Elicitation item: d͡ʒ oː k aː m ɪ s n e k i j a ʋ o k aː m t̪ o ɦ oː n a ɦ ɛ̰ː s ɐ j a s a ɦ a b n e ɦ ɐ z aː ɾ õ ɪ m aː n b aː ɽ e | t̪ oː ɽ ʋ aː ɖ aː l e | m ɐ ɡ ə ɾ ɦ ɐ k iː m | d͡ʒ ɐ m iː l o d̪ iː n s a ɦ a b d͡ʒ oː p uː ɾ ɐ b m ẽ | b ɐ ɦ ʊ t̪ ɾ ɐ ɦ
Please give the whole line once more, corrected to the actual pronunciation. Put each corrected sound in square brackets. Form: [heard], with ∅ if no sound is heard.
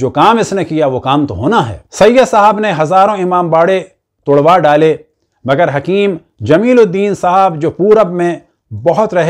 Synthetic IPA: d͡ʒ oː k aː m ɪ s n e k i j a ʋ o k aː m t̪ o ɦ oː n a ɦ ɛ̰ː s ɐ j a s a ɦ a b n e ɦ ɐ z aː ɾ õ ɪ m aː [m] b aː ɽ e | t̪ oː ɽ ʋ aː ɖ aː l e | m ɐ ɡ ə ɾ ɦ ɐ k iː m | d͡ʒ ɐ m iː l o d̪ iː n s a ɦ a b d͡ʒ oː p uː ɾ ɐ b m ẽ | b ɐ ɦ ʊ t̪ ɾ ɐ ɦ